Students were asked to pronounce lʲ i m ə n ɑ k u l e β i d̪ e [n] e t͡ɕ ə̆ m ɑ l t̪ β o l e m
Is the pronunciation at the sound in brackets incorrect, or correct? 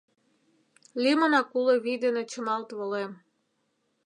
correct